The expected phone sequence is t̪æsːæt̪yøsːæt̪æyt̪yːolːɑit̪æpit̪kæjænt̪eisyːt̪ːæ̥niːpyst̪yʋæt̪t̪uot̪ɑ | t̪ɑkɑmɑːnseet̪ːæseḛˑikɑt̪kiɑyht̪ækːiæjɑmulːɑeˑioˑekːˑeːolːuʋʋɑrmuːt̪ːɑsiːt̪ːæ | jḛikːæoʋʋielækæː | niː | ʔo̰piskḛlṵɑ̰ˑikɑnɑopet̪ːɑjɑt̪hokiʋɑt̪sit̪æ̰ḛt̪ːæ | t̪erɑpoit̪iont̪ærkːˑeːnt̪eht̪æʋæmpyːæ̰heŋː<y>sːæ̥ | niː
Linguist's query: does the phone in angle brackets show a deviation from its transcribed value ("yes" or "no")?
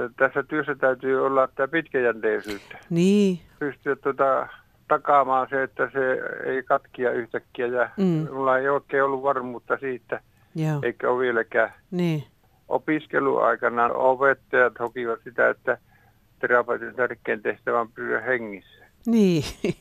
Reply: yes